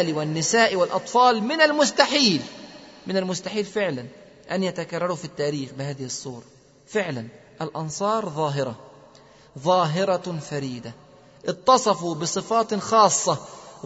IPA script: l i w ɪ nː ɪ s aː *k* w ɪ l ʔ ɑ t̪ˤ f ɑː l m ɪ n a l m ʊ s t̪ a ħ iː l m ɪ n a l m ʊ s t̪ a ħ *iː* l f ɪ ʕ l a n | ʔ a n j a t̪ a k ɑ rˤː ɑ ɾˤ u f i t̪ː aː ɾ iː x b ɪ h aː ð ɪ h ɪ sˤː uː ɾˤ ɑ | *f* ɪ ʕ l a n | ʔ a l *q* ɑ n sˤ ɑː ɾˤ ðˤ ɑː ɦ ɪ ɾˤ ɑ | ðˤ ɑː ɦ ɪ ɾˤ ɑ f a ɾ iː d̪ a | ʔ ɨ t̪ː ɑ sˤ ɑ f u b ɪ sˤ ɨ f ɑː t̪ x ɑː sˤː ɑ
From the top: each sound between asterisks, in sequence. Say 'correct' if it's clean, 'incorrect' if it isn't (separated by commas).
incorrect, correct, correct, incorrect